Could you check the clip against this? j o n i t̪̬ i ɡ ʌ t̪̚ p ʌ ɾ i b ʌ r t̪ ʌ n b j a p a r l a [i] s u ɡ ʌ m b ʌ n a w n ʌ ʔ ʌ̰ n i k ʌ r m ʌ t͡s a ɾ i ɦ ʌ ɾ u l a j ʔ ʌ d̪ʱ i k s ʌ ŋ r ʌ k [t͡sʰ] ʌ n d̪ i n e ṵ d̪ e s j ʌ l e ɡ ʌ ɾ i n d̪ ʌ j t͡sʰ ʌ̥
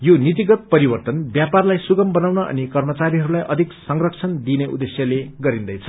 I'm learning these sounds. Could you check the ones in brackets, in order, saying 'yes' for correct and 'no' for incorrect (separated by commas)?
no, yes